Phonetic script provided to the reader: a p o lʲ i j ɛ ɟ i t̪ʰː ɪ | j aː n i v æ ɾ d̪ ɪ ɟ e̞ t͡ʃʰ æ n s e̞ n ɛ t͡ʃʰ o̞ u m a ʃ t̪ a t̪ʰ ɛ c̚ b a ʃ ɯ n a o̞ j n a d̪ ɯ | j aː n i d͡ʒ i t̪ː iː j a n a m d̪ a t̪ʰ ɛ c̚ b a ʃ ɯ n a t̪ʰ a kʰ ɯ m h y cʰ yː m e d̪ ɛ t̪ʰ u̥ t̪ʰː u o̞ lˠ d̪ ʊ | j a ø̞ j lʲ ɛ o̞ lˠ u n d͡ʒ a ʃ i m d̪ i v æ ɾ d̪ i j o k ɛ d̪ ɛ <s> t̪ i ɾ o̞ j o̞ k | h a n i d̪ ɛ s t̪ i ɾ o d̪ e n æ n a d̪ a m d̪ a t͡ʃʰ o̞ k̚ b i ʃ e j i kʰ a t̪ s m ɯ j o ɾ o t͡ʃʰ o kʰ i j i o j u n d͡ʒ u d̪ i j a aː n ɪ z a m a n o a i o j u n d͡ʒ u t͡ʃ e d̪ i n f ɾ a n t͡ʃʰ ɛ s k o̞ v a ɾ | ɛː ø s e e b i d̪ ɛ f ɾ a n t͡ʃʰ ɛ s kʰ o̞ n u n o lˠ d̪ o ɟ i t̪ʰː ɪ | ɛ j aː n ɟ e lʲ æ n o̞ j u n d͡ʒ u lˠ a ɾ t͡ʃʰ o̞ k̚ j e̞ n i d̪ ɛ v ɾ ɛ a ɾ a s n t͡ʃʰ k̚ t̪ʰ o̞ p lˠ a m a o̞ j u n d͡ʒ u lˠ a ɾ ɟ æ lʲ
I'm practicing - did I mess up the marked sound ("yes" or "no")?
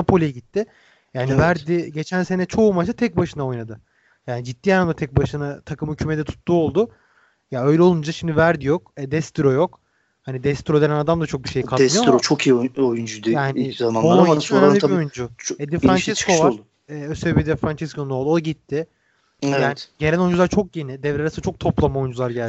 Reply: no